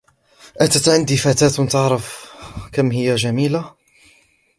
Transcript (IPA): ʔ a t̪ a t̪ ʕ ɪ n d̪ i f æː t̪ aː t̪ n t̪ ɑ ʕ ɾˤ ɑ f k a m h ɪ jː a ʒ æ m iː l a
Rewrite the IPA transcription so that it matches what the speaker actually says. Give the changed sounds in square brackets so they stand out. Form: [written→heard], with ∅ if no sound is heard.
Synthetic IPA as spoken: ʔ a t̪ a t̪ ʕ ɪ n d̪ i f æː t̪ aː t̪ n t̪ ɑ ʕ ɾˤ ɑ f k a m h ɪ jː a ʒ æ m iː l a